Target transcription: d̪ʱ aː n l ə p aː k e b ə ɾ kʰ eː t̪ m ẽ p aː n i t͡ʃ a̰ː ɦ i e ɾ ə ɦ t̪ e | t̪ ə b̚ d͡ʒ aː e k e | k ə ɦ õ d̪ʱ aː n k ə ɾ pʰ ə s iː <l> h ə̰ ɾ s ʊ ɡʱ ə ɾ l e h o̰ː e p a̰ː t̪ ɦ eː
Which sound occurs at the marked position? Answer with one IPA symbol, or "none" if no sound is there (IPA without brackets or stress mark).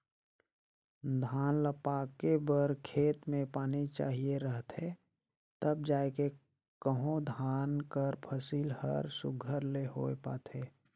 l